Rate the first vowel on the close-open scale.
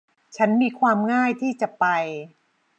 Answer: open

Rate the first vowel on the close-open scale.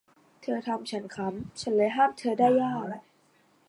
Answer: mid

